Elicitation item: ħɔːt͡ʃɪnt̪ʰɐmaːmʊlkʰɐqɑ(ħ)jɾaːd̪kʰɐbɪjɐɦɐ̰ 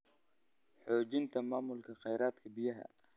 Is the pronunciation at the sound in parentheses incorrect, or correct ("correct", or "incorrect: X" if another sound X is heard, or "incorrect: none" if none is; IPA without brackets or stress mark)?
incorrect: none